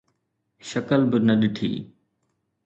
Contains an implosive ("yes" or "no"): yes